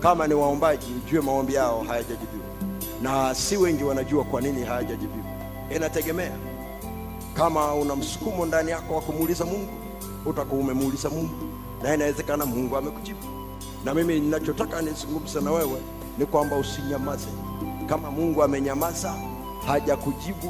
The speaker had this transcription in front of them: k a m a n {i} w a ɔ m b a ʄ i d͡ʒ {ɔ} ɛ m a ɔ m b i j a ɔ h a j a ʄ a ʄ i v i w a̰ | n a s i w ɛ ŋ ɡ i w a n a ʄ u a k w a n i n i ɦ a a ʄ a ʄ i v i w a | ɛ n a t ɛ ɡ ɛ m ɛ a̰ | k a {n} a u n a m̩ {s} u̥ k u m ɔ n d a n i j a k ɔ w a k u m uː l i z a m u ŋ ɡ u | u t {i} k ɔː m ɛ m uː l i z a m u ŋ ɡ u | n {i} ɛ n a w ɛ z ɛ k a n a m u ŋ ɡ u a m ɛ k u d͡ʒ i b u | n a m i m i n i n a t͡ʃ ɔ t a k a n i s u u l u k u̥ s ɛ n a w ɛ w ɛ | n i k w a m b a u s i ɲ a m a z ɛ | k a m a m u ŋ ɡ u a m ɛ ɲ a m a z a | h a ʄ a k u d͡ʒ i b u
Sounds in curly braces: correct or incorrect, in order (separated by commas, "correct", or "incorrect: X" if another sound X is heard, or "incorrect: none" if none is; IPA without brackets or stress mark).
correct, incorrect: u, incorrect: m, correct, incorrect: a, incorrect: a